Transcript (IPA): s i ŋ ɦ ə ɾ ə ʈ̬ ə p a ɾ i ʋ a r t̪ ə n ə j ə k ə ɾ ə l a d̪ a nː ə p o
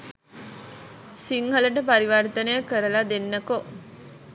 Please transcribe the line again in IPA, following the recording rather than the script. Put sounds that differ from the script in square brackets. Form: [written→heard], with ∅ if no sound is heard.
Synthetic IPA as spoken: s i ŋ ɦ ə [ɾ→l] ə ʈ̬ ə p a ɾ i ʋ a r t̪ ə n ə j ə k ə ɾ ə l a d̪ [a→e] nː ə [p→k] o